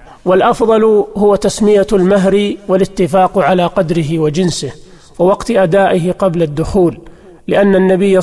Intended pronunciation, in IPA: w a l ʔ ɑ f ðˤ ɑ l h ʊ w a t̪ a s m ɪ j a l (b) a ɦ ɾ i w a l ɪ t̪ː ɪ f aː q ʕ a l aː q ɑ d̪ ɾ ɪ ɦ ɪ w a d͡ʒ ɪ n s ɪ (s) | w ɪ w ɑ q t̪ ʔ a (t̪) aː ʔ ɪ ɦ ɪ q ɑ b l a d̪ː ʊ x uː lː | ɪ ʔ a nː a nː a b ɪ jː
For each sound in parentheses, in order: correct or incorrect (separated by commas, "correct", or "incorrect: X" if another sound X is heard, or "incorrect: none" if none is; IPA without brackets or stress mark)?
incorrect: m, incorrect: h, incorrect: d̪